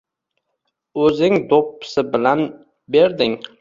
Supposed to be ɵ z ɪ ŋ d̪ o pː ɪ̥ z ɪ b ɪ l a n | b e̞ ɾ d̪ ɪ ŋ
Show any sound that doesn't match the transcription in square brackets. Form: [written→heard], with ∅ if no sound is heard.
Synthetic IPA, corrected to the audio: ɵ z ɪ ŋ d̪ o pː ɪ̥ [z→s] ɪ b ɪ l a n | b e̞ ɾ d̪ ɪ ŋ